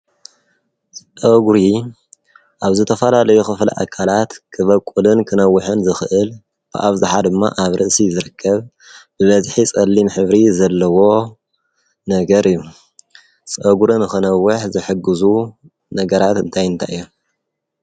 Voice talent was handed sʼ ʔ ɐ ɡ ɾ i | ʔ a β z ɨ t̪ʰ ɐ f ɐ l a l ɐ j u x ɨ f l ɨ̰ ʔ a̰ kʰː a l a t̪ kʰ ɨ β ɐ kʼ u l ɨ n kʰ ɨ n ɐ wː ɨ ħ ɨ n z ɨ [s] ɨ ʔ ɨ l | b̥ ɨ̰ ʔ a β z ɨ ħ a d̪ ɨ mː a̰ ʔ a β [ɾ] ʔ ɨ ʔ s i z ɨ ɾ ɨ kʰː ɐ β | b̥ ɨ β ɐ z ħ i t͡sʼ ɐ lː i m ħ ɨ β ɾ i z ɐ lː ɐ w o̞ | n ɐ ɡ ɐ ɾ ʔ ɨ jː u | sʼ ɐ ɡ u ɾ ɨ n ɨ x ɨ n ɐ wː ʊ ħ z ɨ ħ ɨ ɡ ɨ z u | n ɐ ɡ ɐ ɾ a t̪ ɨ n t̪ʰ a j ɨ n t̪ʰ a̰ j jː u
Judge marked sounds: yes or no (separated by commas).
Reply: no, yes